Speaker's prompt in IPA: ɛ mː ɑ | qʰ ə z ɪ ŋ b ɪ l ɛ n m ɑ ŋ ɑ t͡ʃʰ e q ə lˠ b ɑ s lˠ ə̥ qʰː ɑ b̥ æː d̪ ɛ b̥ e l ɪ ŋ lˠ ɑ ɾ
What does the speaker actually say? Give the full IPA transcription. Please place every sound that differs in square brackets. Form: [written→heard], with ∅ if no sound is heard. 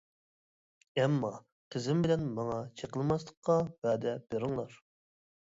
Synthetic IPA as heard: ɛ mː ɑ | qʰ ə z ɪ [ŋ→m] b ɪ l ɛ n m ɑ ŋ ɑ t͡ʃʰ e q ə lˠ [b→m] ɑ s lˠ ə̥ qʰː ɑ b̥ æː d̪ ɛ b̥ e [l→ɾ] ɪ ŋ lˠ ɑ ɾ

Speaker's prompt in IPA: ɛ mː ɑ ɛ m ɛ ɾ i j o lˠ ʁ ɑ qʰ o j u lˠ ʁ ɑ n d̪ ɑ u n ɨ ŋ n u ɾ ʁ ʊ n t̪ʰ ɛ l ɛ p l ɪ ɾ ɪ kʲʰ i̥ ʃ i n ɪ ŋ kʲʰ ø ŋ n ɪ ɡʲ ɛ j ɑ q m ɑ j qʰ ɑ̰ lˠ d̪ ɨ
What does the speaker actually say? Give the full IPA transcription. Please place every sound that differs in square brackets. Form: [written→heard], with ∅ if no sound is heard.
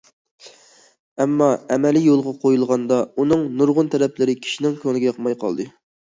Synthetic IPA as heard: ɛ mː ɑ ɛ m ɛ [ɾ→l] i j o lˠ ʁ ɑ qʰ o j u lˠ ʁ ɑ n d̪ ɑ u n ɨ ŋ n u ɾ ʁ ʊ n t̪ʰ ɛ [l→ɾ] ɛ p l ɪ ɾ ɪ kʲʰ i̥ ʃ i n ɪ ŋ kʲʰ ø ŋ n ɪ ɡʲ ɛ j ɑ q m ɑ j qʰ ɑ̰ lˠ d̪ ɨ

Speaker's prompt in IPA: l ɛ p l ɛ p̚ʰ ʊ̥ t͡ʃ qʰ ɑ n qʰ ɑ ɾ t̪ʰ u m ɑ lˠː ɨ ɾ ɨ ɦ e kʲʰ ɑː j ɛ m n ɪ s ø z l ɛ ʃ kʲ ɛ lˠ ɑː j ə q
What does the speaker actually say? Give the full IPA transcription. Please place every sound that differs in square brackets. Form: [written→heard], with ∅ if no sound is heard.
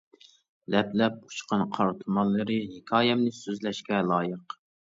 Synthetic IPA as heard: l ɛ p l ɛ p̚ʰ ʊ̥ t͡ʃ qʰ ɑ n qʰ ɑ ɾ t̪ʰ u m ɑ lˠː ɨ ɾ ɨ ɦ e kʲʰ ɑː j ɛ m n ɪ s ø z l ɛ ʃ kʲ ɛ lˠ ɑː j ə q

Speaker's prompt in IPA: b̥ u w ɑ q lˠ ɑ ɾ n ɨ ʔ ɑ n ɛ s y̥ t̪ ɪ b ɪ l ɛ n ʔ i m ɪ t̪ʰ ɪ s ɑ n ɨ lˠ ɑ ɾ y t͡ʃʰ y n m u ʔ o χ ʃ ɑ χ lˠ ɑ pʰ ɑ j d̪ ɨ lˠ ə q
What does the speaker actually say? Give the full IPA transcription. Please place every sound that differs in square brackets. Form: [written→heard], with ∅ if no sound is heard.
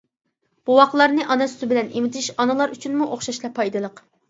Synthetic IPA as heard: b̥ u w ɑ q lˠ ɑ ɾ n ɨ ʔ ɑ n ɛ s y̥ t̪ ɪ b ɪ l ɛ n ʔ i m ɪ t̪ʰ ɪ [s→ʃ] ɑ n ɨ lˠ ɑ ɾ y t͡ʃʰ y n m u ʔ o χ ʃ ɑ [χ→ʃ] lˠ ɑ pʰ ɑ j d̪ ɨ lˠ ə q

